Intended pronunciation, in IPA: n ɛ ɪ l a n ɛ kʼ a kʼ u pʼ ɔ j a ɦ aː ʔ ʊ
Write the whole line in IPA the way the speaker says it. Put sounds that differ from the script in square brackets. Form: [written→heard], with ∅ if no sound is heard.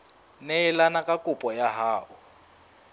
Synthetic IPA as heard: n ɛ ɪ l a n [ɛ→a] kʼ a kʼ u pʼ ɔ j a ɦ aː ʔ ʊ